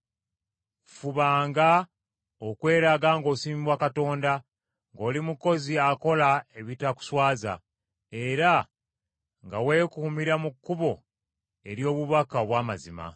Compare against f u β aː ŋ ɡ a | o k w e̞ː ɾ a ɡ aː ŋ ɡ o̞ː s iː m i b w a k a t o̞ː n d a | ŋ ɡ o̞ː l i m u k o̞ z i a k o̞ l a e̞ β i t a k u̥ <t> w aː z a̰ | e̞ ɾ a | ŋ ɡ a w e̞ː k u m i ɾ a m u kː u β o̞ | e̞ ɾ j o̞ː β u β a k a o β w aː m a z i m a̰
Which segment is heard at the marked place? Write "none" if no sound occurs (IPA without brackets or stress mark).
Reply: s